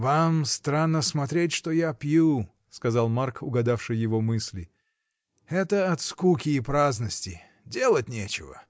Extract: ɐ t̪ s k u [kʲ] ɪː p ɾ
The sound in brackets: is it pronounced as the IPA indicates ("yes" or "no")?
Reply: yes